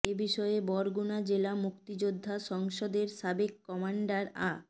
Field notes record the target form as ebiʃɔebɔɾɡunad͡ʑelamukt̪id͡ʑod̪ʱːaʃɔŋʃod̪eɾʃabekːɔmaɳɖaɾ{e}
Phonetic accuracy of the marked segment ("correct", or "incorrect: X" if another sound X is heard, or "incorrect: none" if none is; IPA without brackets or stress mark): incorrect: a